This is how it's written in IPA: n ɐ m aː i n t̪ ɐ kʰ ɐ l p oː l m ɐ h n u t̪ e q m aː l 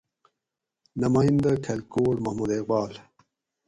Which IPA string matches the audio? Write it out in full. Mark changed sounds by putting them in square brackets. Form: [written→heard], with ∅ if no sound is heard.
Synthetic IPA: n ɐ m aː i n [t̪→d̪] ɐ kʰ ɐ l [p→k] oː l m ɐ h [n→m] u [t̪→d̪] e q [m→b] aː l